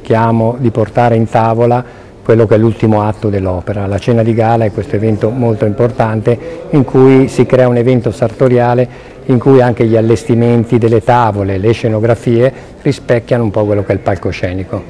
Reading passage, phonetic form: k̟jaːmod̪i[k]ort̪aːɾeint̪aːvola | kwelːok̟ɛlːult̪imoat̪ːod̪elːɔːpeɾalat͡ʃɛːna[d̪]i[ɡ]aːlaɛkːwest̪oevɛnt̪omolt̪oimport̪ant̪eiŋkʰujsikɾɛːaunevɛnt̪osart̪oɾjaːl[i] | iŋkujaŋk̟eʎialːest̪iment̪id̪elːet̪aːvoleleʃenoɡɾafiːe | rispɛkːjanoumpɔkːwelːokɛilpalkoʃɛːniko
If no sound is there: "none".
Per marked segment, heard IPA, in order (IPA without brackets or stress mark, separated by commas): p, d̪, ɡ, e